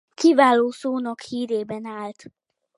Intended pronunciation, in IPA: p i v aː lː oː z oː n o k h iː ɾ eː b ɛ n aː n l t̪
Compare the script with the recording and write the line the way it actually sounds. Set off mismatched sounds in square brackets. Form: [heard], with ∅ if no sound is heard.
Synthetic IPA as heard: [k] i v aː [l] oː [s] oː n [ɒ] k h iː ɾ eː b ɛ n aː [∅] l t̪